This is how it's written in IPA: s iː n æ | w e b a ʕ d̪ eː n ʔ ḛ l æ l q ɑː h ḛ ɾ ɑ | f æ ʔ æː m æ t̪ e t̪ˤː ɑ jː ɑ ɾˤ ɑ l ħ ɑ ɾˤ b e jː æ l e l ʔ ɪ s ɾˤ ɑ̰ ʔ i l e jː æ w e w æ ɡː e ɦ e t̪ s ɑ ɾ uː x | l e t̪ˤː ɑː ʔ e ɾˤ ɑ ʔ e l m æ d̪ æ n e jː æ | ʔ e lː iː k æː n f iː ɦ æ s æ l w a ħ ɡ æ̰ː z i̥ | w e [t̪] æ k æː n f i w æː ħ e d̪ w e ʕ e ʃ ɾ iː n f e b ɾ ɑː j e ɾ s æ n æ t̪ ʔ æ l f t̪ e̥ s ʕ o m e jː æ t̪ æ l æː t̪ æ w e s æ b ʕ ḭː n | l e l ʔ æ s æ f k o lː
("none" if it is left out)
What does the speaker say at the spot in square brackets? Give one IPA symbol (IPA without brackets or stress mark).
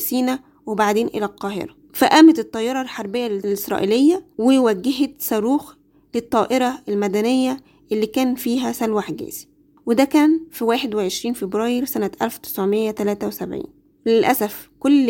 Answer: d̪